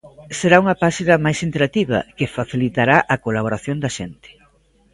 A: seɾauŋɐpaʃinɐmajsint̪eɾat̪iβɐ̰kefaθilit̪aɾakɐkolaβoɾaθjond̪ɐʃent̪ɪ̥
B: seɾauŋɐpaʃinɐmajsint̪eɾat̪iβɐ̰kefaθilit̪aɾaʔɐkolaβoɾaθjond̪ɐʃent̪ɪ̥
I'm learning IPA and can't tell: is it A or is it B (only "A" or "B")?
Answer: B